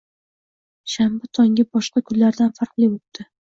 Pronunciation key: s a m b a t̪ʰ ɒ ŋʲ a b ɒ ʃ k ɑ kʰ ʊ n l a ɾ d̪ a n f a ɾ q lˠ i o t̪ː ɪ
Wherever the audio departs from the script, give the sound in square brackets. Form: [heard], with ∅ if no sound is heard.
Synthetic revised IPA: [ʃ] a m b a t̪ʰ ɒ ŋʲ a b ɒ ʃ [q] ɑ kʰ ʊ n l a ɾ d̪ a n f a ɾ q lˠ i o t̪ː ɪ